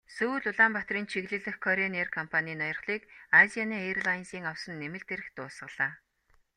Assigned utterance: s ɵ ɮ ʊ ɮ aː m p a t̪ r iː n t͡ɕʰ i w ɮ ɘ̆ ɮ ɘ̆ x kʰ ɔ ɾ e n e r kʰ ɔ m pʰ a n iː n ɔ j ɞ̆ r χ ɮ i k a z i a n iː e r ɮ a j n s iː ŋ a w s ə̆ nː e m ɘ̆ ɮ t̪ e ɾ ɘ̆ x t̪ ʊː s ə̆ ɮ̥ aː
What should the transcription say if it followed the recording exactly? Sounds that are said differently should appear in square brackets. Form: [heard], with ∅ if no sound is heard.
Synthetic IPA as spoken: s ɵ ɮ ʊ ɮ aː m p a t̪ r iː n t͡ɕʰ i [ɣ] ɮ ɘ̆ ɮ ɘ̆ x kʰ ɔ ɾ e n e r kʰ ɔ m pʰ a n iː n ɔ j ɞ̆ r χ ɮ [iː] k a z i a n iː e r ɮ a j n s iː ŋ a w s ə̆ nː e m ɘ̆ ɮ t̪ e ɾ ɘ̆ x t̪ ʊː s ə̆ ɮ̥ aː